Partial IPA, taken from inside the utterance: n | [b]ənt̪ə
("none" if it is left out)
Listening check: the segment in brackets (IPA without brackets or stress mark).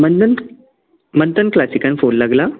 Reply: m